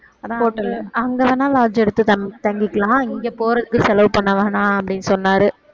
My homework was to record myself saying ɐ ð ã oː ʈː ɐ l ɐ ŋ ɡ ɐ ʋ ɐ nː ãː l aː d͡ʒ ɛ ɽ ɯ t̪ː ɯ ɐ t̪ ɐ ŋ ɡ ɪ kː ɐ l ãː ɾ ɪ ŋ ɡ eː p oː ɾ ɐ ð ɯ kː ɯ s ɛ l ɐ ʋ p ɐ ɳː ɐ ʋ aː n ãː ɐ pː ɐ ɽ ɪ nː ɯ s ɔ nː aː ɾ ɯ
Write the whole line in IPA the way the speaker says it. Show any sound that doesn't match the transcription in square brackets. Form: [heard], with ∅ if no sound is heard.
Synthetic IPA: ɐ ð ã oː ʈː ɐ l ɐ ŋ ɡ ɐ ʋ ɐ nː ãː l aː d͡ʒ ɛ ɽ ɯ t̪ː ɯ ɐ t̪ ɐ ŋ ɡ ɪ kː ɐ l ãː [∅] ɪ ŋ ɡ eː p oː ɾ ɐ ð ɯ kː ɯ s ɛ l ɐ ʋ p ɐ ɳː ɐ ʋ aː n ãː ɐ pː ɐ ɽ ɪ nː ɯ s ɔ nː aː ɾ ɯ